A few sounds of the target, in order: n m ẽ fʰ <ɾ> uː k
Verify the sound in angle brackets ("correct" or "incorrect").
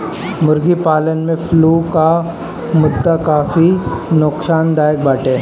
incorrect